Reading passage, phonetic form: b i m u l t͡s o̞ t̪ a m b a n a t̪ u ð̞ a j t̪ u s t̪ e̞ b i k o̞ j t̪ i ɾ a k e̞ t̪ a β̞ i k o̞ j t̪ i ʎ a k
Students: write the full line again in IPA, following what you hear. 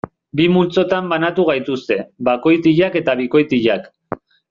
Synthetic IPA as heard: b i m u l t͡s o̞ t̪ a m b a n a t̪ u ɣ̞ a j t̪ u s t̪ e̞ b a k o̞ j t̪ i ʎ a k e̞ t̪ a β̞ i k o̞ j t̪ i ʎ a k